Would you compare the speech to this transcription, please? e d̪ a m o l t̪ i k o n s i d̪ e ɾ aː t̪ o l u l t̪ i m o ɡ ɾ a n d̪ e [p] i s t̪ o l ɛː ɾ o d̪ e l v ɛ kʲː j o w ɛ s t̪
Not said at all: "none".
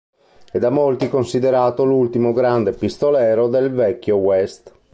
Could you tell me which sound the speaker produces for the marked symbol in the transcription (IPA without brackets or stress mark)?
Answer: p